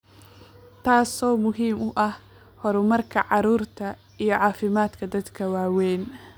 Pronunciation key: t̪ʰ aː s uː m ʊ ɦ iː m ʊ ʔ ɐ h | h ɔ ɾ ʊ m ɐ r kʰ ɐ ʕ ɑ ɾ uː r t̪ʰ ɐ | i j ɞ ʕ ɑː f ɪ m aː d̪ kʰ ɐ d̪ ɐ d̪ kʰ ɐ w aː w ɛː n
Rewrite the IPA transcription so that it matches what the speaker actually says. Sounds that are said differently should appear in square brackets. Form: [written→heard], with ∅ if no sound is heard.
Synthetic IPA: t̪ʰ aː s [uː→ɔː] m ʊ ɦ iː m ʊ ʔ ɐ h | h ɔ ɾ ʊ m ɐ r kʰ ɐ ʕ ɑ ɾ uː r t̪ʰ ɐ | i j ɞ ʕ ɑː f ɪ m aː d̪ kʰ ɐ d̪ ɐ d̪ kʰ ɐ w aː w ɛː n